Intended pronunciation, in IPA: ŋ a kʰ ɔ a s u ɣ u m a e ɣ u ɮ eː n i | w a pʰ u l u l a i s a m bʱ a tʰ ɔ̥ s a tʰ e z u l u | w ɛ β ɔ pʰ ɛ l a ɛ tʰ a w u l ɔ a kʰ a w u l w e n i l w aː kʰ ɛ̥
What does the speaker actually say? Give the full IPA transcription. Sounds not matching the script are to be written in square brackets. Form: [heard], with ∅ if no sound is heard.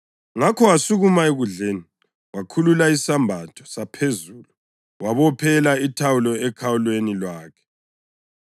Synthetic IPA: ŋ a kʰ ɔ a s u ɣ u m a e ɣ u ɮ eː n i | w a [kʰ] u l u l a i s a m bʱ a tʰ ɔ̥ s a [pʰ] e z u l u | w [a] β ɔ pʰ ɛ l a [i] tʰ a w u l ɔ [ɛ] kʰ a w u l w e n i l w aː kʰ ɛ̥